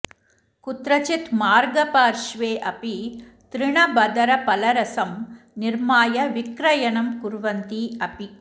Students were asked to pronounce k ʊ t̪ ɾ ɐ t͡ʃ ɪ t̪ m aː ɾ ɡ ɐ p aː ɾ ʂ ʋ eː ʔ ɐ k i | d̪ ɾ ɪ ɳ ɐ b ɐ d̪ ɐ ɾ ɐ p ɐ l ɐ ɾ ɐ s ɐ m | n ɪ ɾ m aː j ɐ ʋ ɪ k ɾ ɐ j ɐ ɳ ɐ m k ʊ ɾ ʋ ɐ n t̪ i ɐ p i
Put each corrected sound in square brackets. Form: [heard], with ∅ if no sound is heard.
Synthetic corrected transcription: k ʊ t̪ ɾ ɐ t͡ʃ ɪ t̪ m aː ɾ ɡ ɐ p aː ɾ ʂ ʋ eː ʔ ɐ [p] i | [t̪] ɾ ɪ ɳ ɐ b ɐ d̪ ɐ ɾ ɐ p ɐ l ɐ ɾ ɐ s ɐ m | n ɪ ɾ m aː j ɐ ʋ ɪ k ɾ ɐ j ɐ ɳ ɐ m k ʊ ɾ ʋ ɐ n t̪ i ɐ p i